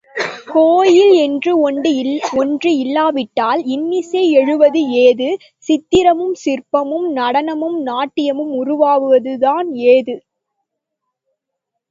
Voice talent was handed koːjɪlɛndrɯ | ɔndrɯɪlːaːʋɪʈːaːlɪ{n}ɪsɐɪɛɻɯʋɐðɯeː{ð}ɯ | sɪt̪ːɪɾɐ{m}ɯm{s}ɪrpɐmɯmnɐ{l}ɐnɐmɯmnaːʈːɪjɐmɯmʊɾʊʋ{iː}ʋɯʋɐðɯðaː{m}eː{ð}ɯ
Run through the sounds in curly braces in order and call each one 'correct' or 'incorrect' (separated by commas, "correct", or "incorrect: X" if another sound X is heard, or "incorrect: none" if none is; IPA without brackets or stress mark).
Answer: incorrect: nː, correct, correct, correct, incorrect: ɽ, incorrect: aː, incorrect: n, correct